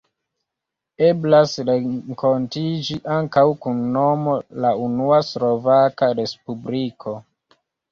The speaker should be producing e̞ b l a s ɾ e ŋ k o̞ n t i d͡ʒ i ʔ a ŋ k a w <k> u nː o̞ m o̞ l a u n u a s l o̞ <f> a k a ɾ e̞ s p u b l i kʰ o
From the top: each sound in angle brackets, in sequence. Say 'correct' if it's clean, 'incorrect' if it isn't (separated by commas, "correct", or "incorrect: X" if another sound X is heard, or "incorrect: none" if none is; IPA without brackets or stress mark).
correct, incorrect: v